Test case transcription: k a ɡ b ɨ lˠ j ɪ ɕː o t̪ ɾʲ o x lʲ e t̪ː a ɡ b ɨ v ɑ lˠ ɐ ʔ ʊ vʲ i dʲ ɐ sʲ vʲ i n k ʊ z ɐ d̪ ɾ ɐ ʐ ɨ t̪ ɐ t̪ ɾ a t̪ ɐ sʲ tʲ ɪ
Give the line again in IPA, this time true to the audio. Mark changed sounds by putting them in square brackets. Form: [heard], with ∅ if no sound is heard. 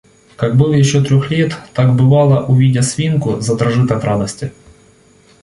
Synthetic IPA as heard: k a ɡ b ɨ lˠ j ɪ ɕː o t̪ ɾʲ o x lʲ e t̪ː a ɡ b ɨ v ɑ lˠ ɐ ʔ ʊ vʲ i dʲ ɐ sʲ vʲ i n k ʊ z ɐ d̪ ɾ ɐ ʐ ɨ t̪ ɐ t̪ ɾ a [d̪] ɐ sʲ tʲ ɪ